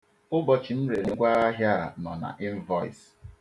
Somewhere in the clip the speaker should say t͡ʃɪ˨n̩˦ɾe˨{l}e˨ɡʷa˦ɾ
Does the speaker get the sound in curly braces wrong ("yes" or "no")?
yes